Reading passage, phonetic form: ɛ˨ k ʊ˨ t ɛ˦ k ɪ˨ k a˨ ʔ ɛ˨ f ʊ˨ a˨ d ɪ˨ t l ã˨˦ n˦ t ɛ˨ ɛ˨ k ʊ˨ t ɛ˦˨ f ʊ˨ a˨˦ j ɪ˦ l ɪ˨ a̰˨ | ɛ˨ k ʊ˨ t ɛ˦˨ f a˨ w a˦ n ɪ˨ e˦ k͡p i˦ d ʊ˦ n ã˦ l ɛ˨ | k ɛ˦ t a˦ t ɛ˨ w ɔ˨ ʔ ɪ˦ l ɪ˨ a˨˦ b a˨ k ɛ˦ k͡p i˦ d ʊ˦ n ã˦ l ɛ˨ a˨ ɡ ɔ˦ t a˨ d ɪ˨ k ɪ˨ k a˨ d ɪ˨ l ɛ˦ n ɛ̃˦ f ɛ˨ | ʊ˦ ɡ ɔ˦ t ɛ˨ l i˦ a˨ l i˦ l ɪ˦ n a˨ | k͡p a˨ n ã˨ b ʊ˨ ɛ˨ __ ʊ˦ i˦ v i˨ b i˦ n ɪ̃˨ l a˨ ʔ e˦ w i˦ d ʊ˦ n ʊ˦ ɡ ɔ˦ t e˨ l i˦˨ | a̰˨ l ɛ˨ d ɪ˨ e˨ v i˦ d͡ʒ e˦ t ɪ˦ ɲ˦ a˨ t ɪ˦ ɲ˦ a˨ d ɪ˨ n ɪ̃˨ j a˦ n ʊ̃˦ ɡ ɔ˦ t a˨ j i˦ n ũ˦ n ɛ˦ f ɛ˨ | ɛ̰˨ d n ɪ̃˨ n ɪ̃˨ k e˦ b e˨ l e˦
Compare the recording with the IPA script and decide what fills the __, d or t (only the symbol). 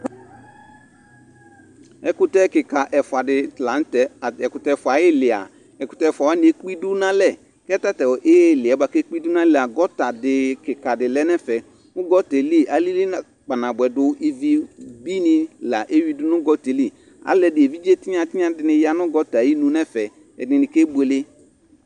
d